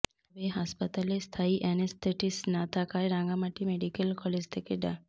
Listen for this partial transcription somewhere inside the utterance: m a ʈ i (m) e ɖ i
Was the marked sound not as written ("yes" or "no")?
no